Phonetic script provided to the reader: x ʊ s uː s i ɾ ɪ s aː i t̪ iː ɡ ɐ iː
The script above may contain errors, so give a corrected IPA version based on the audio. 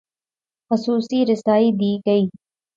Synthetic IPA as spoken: x ʊ s uː s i ɾ ɪ s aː i d̪ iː ɡ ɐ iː